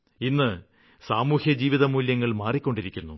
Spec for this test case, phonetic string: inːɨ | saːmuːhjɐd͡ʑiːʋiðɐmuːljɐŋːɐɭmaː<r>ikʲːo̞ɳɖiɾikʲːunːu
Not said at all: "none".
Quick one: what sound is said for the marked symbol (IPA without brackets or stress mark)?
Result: r